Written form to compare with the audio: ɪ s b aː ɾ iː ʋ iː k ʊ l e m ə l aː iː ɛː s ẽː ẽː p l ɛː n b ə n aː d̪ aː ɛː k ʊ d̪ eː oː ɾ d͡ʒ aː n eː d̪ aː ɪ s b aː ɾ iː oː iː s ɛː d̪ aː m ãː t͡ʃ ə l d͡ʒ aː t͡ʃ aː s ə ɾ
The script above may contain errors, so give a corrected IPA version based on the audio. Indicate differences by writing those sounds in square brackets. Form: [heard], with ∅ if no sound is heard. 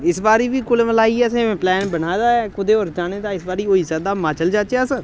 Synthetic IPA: ɪ s b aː ɾ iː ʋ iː k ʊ l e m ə l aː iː ɛː s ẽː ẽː p l ɛː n b ə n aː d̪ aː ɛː k ʊ d̪ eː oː ɾ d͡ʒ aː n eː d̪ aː ɪ s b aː ɾ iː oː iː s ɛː d̪ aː m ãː t͡ʃ ə l d͡ʒ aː t͡ʃ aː s ə ɾ